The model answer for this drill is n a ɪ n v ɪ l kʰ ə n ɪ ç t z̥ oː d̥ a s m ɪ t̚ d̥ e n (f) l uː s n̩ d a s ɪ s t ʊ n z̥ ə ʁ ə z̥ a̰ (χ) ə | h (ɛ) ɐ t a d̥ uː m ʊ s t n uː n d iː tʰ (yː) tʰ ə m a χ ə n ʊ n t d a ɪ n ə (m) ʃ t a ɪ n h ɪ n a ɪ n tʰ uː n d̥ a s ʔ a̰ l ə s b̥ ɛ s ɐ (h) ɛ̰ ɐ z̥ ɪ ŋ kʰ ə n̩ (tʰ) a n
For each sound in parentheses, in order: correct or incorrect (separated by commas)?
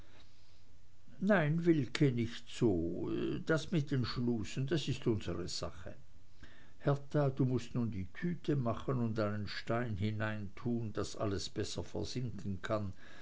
incorrect, correct, correct, correct, incorrect, incorrect, incorrect